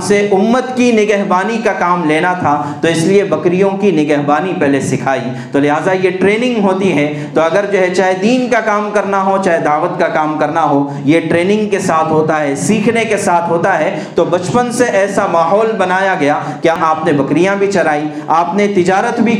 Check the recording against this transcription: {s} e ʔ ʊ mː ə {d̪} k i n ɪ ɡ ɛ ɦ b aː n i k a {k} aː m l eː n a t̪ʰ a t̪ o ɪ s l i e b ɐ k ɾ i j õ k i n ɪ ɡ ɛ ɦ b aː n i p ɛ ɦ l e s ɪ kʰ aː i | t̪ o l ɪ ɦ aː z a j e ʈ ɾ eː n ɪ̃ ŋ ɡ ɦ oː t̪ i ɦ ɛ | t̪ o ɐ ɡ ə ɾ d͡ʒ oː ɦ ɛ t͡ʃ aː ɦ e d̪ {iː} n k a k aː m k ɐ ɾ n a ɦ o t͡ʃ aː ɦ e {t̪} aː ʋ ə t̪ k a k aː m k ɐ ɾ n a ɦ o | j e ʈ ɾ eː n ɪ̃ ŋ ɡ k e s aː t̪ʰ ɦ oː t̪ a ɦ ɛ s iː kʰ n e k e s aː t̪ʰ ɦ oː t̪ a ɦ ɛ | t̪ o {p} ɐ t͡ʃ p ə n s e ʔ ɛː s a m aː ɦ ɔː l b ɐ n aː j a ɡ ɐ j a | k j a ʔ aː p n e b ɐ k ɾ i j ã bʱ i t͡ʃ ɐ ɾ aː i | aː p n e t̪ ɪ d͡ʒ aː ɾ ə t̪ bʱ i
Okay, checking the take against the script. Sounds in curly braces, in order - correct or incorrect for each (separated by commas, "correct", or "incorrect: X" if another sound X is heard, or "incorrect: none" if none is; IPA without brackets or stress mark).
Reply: correct, incorrect: t̪, correct, correct, incorrect: d̪, incorrect: b